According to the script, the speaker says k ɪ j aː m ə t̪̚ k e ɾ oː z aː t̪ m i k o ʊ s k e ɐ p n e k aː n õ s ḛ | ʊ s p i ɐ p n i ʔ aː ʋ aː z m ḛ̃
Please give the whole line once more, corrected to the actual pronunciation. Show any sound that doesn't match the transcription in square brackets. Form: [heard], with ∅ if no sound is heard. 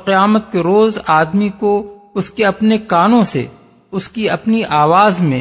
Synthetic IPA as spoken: [q] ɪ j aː m ə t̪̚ k e ɾ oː z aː [d̪] m i k o ʊ s k e ɐ p n e k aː n õ s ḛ | ʊ s [k] i ɐ p n i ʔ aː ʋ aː z m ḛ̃